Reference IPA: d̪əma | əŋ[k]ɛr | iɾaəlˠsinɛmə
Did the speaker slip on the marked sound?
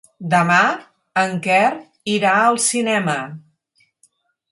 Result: no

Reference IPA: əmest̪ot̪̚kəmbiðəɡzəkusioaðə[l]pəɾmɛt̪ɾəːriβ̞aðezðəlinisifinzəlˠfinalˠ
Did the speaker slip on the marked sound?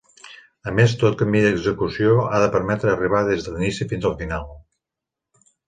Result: yes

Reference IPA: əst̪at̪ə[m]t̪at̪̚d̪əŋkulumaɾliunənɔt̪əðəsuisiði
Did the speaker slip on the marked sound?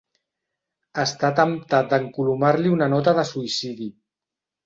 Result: no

